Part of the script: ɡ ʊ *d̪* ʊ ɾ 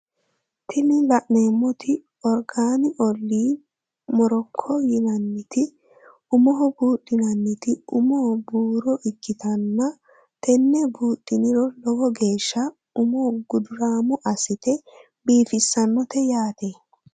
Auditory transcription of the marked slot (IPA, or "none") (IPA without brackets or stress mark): d̪